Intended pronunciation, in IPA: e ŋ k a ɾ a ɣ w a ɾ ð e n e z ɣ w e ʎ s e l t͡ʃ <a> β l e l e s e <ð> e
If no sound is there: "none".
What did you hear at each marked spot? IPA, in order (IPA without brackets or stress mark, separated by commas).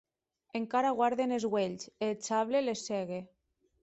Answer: a, ɣ